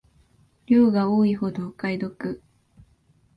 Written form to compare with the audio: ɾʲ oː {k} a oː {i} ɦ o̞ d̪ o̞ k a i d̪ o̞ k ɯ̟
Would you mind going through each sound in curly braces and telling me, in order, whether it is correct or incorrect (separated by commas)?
incorrect, correct